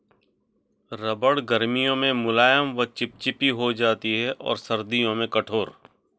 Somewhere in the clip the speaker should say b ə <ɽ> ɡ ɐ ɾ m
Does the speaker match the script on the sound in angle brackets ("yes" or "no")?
yes